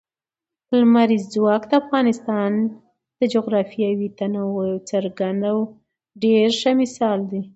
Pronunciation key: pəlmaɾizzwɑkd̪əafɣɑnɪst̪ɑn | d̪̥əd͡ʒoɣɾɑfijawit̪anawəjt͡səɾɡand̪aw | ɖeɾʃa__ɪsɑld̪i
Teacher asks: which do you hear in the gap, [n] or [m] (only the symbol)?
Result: m